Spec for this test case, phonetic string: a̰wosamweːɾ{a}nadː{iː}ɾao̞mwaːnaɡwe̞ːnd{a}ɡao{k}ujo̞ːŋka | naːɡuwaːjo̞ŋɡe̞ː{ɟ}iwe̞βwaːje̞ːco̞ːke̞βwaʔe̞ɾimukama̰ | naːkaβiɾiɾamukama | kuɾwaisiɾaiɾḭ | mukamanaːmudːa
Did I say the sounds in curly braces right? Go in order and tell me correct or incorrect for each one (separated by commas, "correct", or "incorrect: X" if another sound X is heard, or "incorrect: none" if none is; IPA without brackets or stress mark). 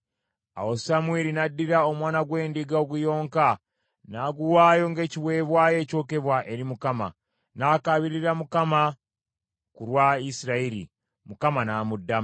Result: incorrect: i, incorrect: i, incorrect: i, incorrect: ɡ, incorrect: c